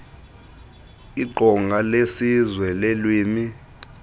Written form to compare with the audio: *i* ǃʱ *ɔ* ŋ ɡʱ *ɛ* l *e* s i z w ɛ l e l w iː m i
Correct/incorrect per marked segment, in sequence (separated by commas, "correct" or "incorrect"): correct, correct, incorrect, correct